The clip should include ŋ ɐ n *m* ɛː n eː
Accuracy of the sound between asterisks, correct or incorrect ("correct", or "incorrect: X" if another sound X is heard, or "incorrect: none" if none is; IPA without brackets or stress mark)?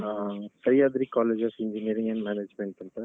correct